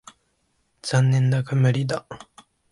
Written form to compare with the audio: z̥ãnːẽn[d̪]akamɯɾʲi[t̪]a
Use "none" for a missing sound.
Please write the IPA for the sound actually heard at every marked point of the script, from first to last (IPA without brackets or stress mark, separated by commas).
d̪, d̪